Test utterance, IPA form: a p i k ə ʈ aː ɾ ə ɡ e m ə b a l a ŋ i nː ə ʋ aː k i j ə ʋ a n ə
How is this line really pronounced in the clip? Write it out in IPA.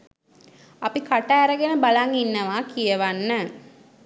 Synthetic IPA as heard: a p i k a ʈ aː ɾ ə ɡ e n ə b a l a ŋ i nː ə ʋ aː k i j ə ʋ a nː ə